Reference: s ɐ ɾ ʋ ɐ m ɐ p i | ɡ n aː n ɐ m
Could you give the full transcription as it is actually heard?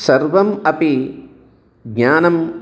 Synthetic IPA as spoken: s ɐ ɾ ʋ ɐ m ɐ p i | ɡ ɲ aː n ɐ m